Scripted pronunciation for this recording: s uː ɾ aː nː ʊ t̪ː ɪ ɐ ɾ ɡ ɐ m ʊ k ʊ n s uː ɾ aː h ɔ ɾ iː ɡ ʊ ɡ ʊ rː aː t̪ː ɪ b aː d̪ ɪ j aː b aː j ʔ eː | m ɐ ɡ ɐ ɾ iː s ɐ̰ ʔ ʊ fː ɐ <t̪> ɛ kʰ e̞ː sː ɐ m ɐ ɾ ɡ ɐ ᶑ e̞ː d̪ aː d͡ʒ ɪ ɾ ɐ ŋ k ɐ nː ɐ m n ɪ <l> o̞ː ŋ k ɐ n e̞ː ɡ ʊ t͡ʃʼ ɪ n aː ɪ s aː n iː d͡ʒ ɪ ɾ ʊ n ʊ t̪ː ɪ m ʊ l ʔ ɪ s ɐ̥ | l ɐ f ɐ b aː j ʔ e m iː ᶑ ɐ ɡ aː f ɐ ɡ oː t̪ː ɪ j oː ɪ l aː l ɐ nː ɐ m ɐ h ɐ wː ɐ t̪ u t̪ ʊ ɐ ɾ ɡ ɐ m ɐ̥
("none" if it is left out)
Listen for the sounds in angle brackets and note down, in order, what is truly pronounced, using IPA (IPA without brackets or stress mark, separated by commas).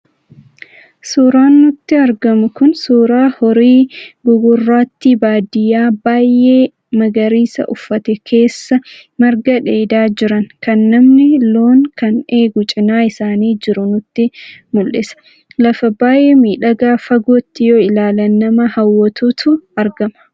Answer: t̪, l